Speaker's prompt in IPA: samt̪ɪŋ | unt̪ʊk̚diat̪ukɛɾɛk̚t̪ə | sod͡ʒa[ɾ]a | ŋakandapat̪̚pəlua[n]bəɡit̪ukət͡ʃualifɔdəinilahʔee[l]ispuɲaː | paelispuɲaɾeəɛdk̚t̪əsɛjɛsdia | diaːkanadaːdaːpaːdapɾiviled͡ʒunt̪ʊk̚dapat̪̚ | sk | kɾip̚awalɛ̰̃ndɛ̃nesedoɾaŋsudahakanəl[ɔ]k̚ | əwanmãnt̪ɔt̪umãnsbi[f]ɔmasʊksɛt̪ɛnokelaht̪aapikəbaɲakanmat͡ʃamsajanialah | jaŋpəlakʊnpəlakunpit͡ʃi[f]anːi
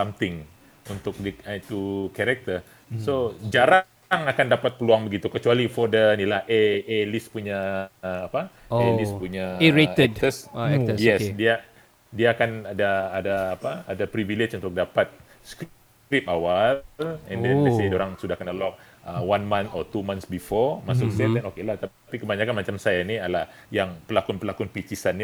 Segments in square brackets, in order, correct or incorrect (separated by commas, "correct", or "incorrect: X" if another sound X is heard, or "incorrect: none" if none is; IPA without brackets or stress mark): correct, incorrect: ŋ, correct, correct, correct, incorrect: s